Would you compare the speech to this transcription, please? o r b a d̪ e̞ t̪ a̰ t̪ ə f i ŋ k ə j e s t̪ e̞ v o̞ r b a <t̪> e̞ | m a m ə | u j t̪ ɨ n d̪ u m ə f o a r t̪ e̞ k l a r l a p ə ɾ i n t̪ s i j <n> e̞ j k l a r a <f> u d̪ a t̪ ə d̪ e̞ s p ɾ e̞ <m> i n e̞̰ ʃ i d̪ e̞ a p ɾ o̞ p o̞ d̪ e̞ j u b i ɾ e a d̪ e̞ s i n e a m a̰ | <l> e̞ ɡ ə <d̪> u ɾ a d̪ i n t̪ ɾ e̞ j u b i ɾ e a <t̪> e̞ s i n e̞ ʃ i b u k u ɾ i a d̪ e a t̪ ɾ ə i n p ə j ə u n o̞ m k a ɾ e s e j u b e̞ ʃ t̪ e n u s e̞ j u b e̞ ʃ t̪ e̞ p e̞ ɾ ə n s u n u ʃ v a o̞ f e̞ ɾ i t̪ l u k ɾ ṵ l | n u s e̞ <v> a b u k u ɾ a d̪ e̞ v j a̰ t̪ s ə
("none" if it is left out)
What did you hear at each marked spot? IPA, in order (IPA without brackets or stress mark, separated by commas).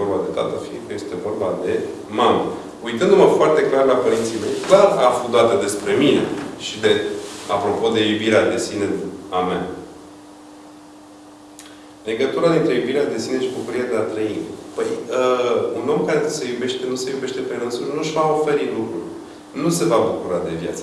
d̪, m, f, m, l, t̪, d̪, v